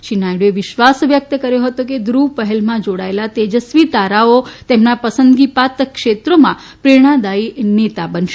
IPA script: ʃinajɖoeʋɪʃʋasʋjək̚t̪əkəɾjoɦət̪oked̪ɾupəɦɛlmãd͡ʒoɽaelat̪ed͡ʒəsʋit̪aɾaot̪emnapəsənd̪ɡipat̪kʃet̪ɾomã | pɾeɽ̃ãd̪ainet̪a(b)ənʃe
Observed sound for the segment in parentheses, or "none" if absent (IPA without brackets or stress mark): b